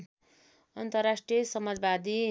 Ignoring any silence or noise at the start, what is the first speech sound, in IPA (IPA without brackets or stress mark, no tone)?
ʌ